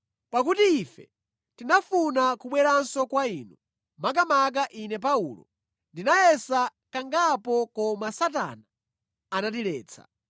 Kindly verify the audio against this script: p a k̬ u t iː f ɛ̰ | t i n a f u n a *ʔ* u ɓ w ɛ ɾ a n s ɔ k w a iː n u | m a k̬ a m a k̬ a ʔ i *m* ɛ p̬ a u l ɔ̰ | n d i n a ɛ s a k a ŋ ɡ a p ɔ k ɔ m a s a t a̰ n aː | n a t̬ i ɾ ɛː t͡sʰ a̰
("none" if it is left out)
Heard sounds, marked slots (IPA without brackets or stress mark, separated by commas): k, n